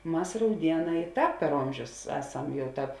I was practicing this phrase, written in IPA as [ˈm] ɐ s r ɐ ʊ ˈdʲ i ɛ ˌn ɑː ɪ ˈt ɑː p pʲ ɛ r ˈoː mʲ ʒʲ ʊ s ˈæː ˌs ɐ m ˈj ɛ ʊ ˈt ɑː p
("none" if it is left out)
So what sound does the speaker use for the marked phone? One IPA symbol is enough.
m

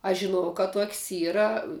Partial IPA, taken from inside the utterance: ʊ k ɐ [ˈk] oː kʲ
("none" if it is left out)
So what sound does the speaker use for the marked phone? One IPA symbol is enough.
t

